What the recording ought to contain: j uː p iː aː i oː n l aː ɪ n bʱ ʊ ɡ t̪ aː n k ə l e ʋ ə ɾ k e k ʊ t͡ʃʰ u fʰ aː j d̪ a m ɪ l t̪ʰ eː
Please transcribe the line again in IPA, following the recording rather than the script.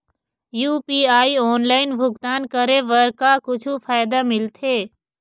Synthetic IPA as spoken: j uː p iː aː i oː n l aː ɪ n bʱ ʊ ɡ t̪ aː n k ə ɾ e ʋ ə ɾ k a k ʊ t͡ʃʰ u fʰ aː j d̪ a m ɪ l t̪ʰ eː